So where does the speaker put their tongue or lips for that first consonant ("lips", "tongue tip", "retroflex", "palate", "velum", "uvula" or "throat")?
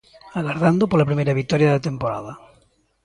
velum